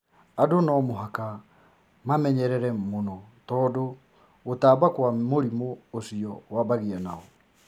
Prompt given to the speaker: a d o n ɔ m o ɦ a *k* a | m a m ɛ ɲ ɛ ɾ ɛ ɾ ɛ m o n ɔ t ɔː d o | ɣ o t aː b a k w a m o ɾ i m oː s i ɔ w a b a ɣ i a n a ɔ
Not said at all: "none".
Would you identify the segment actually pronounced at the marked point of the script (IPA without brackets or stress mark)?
k